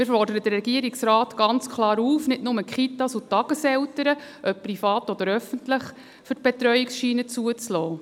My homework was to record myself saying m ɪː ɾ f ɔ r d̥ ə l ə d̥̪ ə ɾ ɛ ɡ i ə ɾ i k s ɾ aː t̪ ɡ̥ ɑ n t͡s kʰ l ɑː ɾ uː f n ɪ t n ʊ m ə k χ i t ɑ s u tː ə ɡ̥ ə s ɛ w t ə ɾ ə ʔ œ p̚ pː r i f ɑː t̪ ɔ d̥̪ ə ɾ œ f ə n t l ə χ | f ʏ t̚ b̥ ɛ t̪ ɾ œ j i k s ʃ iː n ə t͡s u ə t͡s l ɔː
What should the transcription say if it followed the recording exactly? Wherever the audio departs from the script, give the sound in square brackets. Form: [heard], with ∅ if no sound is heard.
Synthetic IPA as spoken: m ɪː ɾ f ɔ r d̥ ə [ɾ] ə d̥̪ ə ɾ ɛ ɡ i ə ɾ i k s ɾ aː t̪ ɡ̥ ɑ n t͡s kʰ l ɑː ɾ uː f n ɪ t n ʊ m ə k χ i t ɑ s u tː [ɑ] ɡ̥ ə s ɛ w t ə ɾ ə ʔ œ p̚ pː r i f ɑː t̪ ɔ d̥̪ ə ɾ œ f ə n t l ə χ | f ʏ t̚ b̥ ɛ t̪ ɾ œ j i k s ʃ iː n ə t͡s u ə t͡s l ɔː